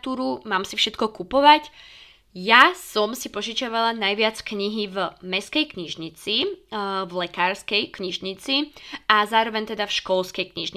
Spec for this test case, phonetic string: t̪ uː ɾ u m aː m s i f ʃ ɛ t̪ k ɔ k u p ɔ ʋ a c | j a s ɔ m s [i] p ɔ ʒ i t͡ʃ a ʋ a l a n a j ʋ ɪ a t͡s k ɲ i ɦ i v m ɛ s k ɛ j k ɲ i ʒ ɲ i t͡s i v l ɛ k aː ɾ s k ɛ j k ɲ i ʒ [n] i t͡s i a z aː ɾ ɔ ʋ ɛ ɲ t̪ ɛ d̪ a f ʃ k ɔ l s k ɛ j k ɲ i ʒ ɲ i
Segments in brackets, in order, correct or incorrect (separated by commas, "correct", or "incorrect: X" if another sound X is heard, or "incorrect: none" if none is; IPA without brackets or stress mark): correct, incorrect: ɲ